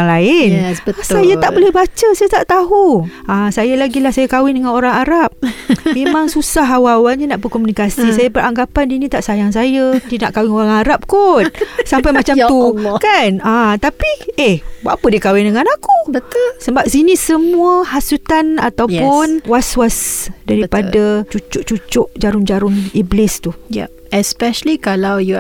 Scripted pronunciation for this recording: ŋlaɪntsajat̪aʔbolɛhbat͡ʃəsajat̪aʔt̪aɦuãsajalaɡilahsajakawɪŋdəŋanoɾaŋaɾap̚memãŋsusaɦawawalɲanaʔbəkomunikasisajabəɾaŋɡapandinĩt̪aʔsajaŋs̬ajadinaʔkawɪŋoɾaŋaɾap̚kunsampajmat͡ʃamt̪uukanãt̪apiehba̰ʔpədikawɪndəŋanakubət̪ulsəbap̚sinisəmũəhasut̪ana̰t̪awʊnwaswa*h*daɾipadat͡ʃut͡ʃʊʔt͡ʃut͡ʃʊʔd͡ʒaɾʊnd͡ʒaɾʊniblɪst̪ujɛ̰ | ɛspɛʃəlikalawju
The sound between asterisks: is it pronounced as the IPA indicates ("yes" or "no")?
no